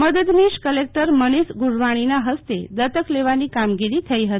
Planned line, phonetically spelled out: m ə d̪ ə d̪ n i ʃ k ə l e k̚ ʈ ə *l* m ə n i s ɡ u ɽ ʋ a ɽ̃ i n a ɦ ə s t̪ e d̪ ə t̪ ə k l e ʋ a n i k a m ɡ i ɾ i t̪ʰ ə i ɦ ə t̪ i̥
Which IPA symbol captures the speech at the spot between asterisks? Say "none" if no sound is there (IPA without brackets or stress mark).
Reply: ɾ